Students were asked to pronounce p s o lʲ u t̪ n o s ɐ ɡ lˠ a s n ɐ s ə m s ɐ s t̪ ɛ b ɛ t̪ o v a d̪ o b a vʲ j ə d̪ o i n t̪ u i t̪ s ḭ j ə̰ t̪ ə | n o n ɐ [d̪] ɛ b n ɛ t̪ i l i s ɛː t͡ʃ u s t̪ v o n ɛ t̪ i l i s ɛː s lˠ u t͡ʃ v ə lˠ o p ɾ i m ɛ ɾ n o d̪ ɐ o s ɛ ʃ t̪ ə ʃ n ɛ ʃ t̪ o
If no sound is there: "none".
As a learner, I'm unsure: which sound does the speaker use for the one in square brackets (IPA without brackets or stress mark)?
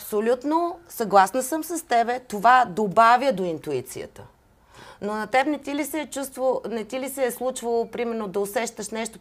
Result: t̪